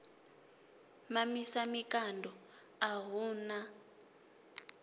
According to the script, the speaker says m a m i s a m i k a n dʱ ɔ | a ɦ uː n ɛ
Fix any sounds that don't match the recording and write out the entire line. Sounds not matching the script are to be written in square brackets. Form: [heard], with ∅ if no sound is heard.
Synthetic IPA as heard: m a m i s a m i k a n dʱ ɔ | a ɦ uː n [a]